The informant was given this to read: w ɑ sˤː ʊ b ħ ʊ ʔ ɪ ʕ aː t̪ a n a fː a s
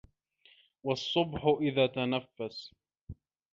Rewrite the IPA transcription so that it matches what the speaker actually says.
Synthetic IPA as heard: w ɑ sˤː ʊ b ħ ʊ ʔ ɪ ð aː t̪ a n a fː a s